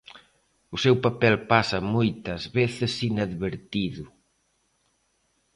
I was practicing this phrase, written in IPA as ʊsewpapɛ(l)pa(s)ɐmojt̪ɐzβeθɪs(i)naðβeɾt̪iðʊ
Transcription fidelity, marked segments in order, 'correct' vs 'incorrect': correct, correct, correct

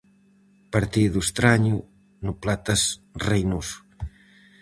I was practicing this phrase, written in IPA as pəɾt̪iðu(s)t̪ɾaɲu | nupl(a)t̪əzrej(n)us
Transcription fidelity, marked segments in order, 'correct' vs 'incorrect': correct, correct, correct

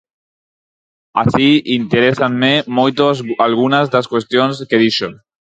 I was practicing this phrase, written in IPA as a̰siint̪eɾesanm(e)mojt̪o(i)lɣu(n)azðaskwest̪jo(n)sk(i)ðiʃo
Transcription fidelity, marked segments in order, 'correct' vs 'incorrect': correct, incorrect: a, correct, correct, incorrect: e

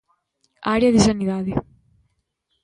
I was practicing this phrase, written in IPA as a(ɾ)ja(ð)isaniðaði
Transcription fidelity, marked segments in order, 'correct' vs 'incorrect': correct, correct

